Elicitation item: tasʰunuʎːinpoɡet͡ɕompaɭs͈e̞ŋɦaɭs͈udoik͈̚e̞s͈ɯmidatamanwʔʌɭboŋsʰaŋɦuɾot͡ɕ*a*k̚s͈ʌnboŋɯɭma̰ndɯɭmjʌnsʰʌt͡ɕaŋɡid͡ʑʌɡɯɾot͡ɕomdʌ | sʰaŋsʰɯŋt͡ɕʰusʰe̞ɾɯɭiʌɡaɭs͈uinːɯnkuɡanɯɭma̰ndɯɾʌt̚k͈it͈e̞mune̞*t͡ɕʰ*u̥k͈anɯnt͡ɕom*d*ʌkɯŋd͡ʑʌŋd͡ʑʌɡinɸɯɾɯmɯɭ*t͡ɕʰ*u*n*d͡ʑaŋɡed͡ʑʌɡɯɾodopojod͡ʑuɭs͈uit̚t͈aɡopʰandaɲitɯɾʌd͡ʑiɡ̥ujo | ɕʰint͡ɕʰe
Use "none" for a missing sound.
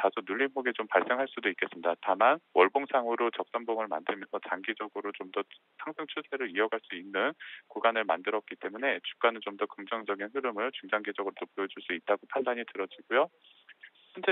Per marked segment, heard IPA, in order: ʌ, t͡ɕ, d, t͡ɕ, ŋ

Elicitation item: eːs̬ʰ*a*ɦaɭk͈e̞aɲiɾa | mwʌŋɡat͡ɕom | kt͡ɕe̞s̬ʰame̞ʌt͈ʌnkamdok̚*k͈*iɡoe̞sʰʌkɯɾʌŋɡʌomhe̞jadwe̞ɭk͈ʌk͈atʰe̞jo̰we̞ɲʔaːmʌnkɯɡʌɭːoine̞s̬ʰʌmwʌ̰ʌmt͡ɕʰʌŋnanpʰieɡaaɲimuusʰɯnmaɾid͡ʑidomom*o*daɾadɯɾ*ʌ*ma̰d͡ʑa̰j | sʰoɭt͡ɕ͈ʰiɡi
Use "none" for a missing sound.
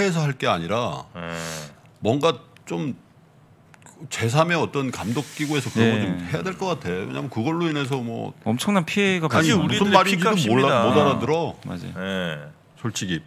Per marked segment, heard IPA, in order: ʌ, k͈, o, ʌ

